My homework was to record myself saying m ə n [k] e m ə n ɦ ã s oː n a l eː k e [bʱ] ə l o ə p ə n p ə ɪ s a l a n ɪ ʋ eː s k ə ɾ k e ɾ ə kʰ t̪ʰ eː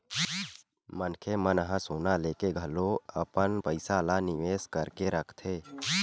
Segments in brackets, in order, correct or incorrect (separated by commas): incorrect, incorrect